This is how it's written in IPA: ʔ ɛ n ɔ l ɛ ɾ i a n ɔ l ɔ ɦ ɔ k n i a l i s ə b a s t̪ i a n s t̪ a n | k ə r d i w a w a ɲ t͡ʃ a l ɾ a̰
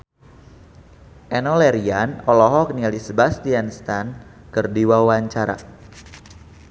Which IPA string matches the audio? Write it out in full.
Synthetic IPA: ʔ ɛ n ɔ l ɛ ɾ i a n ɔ l ɔ ɦ ɔ k n i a l i s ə b a s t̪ i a n s t̪ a n | k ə r d i w a w a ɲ t͡ʃ a ɾ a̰